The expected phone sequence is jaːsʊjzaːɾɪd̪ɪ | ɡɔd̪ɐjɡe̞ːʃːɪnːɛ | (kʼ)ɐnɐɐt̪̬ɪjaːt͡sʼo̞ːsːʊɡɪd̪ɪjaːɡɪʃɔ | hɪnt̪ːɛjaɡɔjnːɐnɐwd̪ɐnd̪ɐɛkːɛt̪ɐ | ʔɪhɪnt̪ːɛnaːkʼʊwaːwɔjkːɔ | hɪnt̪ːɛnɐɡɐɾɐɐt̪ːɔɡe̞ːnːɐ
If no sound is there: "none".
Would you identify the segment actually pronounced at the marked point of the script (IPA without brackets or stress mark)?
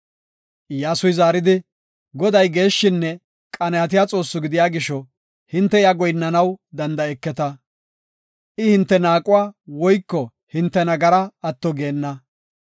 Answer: kʼ